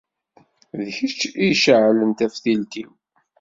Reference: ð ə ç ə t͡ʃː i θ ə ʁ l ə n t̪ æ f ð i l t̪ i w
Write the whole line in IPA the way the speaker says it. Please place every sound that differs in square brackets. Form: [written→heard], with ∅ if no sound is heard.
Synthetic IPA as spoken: ð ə ç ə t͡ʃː i [θ→ʃ] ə [ʁ→ʕ] l ə n t̪ æ f [ð→θ] i l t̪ i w